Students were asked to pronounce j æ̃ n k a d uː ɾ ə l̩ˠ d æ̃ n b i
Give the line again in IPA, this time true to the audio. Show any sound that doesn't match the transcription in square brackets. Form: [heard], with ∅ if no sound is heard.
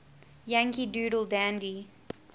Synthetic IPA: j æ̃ [ŋ] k [i] d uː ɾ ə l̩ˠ d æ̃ n [d] i